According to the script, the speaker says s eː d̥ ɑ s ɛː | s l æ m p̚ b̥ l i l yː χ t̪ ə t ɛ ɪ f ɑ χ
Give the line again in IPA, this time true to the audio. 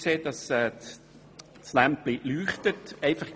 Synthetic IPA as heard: s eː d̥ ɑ s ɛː | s l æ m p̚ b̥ l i l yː χ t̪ ə t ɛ ɪ f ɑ χ